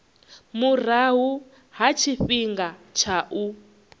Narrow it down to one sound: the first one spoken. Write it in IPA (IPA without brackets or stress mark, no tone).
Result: m